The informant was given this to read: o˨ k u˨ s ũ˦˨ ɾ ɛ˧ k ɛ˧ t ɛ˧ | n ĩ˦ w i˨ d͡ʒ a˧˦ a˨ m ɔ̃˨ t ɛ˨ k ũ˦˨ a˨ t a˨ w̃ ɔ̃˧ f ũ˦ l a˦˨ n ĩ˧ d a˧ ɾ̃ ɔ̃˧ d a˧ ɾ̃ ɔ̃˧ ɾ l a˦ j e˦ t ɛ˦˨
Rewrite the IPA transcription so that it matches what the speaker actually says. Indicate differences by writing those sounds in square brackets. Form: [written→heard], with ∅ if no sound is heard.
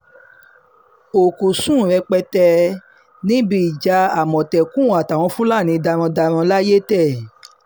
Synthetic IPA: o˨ k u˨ s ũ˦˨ ɾ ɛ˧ [k→k͡p] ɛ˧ t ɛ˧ | n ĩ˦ [w→b] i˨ d͡ʒ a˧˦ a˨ m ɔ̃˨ t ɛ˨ k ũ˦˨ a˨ t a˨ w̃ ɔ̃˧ f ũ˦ l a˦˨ n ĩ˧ d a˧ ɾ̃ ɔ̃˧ d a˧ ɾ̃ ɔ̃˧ [ɾ→∅] l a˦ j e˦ t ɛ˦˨